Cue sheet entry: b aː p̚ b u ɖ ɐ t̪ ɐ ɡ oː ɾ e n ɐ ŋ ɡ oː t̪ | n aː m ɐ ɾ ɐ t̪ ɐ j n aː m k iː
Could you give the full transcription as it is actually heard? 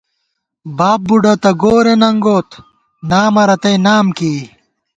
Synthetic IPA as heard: b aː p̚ b u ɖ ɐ t̪ ɐ ɡ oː ɾ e n ɐ ŋ ɡ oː t̪ | n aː m ɐ ɾ ɐ t̪ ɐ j n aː m k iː